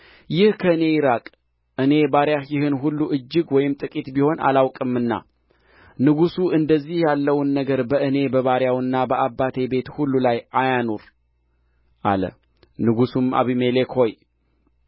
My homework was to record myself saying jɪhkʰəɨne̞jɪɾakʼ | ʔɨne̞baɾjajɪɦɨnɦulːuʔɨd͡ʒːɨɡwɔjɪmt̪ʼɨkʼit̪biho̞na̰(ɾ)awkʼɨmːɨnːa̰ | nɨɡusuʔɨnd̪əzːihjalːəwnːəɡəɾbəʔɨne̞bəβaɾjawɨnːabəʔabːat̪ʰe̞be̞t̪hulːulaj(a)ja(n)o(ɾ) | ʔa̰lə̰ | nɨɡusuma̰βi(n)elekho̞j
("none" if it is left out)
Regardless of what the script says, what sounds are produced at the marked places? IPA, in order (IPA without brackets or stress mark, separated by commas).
l, a, n, ɾ, m